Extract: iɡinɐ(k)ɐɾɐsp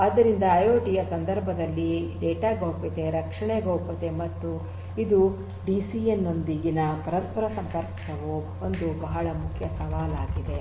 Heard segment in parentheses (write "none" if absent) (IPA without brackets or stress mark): p